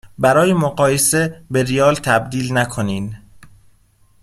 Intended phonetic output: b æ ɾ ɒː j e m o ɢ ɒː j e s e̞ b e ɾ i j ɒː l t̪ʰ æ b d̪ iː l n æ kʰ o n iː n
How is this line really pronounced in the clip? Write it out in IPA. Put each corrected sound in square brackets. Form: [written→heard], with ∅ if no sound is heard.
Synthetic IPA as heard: b æ ɾ ɒː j e m o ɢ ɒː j e s e̞ b e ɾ i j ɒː l t̪ʰ æ b d̪ iː l n æ kʰ o n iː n